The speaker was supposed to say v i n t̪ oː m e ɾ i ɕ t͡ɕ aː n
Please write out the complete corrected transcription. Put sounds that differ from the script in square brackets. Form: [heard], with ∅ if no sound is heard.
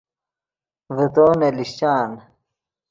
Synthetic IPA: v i [∅] t̪ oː [n] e [l] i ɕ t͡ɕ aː n